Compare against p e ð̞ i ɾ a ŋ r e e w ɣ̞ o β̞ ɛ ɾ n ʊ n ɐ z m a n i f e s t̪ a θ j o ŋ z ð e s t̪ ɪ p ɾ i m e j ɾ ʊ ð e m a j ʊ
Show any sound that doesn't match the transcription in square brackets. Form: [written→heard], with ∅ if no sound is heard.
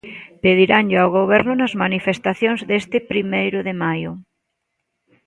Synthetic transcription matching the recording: p e ð̞ i ɾ a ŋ [r→ʎ] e [e→a] w ɣ̞ o β̞ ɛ ɾ n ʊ n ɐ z m a n i f e s t̪ a θ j o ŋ z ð e s t̪ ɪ p ɾ i m e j ɾ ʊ ð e m a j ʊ